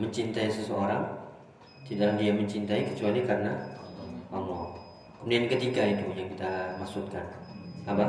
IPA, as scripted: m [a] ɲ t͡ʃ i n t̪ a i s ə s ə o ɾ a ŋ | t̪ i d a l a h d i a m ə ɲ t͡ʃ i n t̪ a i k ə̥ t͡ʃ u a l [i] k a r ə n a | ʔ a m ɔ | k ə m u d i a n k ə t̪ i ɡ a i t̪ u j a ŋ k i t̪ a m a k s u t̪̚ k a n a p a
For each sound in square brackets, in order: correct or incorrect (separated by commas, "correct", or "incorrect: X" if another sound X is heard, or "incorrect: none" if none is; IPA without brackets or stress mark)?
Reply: incorrect: ə, correct